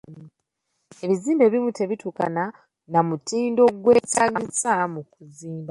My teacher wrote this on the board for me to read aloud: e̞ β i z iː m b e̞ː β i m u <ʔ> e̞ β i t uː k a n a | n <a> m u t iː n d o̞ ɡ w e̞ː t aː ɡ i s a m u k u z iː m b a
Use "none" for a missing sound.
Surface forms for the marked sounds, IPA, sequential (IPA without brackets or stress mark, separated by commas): t, a